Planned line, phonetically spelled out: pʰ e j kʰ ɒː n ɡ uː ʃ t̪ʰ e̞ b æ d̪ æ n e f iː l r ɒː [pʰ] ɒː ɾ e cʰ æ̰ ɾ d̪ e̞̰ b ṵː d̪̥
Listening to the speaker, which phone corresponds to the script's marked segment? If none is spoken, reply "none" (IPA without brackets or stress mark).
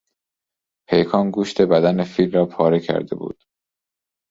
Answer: pʰ